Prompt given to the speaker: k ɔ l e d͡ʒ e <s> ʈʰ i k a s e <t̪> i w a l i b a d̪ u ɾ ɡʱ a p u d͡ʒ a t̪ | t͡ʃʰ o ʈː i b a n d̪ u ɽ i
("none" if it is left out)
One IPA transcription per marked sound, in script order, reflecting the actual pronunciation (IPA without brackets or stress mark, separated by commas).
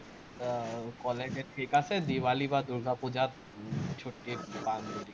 none, d̪